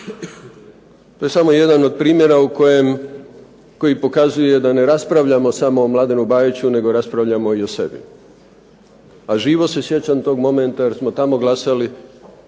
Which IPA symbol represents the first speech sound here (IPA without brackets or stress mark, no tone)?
t̪